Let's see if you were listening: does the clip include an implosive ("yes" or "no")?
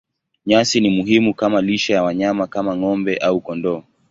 no